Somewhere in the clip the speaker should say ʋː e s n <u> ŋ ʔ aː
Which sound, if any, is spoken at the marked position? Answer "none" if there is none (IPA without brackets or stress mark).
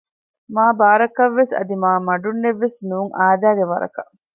uː